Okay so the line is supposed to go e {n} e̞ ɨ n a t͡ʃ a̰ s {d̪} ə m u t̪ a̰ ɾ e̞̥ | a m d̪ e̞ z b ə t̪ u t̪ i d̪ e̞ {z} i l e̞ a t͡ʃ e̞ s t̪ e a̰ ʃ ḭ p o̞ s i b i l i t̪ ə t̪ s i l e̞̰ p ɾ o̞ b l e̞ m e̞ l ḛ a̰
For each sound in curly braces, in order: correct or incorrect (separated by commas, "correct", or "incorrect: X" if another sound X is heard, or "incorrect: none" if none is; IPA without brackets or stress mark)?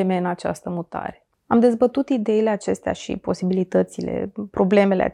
incorrect: m, incorrect: t̪, incorrect: none